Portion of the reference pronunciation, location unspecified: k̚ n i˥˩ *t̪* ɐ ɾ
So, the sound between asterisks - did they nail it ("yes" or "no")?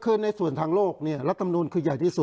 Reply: no